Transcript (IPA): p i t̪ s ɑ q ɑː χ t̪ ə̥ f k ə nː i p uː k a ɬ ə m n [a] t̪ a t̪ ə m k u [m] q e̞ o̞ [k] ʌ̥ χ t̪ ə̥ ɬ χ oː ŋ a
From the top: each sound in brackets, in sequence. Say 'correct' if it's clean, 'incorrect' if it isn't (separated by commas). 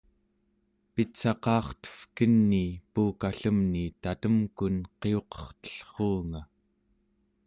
incorrect, incorrect, incorrect